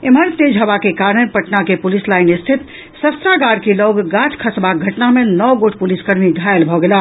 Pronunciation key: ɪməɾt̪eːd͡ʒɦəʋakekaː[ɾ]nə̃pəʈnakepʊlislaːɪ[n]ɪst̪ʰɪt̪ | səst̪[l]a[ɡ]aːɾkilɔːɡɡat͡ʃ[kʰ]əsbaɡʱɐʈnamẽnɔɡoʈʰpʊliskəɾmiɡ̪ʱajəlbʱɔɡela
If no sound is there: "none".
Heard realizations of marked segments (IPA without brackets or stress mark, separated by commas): ɾ, n, ɾ, ɡ, kʰ